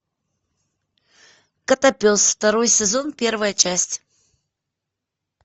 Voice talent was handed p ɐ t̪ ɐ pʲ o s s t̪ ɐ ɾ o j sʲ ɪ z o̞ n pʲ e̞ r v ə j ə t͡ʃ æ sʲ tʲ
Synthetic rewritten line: k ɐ t̪ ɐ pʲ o s f t̪ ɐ ɾ o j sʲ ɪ z o̞ n pʲ e̞ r v ə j ə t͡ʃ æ sʲ tʲ